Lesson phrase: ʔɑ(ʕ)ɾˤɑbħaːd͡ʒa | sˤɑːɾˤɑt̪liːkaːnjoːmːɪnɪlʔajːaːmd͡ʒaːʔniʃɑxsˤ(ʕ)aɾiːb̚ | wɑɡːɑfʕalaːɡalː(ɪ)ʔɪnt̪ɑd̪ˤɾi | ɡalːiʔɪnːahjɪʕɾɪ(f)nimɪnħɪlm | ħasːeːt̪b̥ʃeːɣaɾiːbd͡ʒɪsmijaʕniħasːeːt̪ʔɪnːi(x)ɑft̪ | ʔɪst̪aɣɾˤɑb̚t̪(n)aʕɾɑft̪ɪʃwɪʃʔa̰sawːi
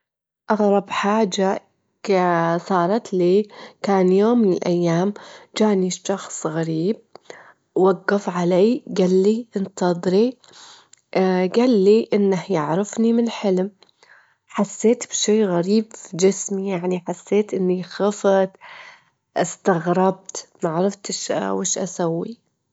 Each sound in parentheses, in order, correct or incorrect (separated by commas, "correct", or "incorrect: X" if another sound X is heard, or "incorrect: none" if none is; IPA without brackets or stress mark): incorrect: ɣ, incorrect: ɣ, incorrect: i, correct, correct, incorrect: m